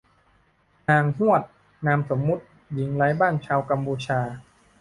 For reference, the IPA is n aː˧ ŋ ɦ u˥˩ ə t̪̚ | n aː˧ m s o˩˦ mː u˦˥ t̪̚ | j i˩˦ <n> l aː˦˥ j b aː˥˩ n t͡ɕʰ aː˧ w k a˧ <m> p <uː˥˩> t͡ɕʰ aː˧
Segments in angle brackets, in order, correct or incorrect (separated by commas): incorrect, correct, incorrect